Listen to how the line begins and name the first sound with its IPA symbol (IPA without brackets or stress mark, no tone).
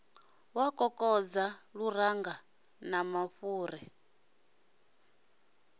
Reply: w